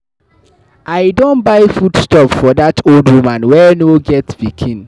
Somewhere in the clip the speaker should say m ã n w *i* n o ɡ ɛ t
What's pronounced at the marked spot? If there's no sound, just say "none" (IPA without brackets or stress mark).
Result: ɛ